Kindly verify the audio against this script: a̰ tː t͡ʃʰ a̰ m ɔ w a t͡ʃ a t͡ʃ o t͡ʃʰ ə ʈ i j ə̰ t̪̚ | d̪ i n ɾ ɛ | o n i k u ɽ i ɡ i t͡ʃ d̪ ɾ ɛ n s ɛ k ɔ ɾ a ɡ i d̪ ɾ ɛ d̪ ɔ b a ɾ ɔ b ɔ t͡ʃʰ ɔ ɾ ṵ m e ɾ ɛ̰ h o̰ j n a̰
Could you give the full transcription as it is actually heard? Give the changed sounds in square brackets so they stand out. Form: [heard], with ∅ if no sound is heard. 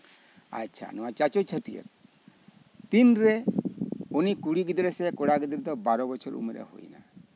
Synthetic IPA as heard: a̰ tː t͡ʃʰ a̰ [n] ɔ w a t͡ʃ a t͡ʃ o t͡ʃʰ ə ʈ i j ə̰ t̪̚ | [t̪] i n ɾ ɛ | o n i k u ɽ i ɡ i [∅] d̪ ɾ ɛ [∅] s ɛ k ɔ [ɽ] a ɡ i d̪ ɾ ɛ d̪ ɔ b a ɾ ɔ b ɔ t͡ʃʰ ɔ ɾ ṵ m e ɾ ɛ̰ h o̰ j n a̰